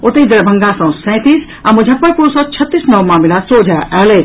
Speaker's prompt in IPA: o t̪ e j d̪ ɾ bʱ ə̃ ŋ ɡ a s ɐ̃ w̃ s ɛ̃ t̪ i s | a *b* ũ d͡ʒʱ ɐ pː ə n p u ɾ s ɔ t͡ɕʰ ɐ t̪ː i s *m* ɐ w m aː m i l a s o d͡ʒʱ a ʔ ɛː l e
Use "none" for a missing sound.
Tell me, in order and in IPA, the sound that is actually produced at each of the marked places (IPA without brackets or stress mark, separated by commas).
m, n